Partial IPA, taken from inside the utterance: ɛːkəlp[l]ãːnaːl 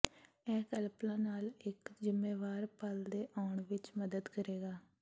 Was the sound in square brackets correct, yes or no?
yes